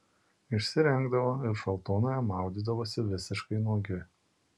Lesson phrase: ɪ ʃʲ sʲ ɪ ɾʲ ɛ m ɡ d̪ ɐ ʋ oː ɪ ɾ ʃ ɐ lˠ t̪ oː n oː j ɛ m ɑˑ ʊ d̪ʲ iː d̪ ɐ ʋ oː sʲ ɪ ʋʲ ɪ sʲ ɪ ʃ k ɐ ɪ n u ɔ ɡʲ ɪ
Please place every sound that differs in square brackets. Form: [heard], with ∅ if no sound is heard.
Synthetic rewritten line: ɪ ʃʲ sʲ ɪ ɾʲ ɛ [ŋ] ɡ d̪ ɐ ʋ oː ɪ ɾ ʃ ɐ lˠ t̪ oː n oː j ɛ m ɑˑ ʊ d̪ʲ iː d̪ ɐ ʋ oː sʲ ɪ ʋʲ ɪ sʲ ɪ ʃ k ɐ ɪ n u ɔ ɡʲ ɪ

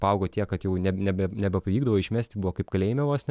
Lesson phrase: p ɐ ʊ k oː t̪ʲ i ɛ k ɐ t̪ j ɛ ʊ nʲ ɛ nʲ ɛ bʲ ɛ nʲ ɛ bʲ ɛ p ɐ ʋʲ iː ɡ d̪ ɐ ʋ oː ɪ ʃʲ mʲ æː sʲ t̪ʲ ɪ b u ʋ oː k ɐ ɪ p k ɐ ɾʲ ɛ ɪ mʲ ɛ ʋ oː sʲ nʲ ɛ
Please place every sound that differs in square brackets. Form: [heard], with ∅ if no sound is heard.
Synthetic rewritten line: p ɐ ʊ [ɡ] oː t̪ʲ i ɛ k ɐ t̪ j ɛ ʊ nʲ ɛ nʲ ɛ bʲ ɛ nʲ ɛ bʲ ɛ p ɐ ʋʲ iː ɡ d̪ ɐ ʋ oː ɪ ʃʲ mʲ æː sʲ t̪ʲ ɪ b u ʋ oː k ɐ ɪ p k ɐ [lʲ] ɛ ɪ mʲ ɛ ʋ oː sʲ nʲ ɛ

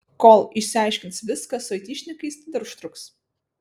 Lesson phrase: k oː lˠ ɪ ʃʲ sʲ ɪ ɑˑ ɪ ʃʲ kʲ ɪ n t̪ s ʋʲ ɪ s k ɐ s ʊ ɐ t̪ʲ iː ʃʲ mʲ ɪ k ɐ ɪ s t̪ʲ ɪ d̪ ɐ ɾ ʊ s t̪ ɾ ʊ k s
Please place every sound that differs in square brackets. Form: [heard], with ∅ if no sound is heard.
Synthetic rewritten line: k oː lˠ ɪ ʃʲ sʲ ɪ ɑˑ ɪ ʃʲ kʲ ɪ n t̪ s ʋʲ ɪ s k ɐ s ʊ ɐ t̪ʲ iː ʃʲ [nʲ] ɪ k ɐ ɪ s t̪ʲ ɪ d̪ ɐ ɾ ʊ [ʃ] t̪ ɾ ʊ k s

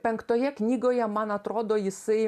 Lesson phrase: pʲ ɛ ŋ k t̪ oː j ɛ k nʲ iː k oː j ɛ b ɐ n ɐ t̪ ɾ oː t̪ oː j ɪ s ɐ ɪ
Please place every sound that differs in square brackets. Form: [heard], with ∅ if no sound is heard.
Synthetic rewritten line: pʲ ɛ ŋ k t̪ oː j ɛ k nʲ iː [ɡ] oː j ɛ [m] ɐ n ɐ t̪ ɾ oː [d̪] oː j ɪ s ɐ ɪ

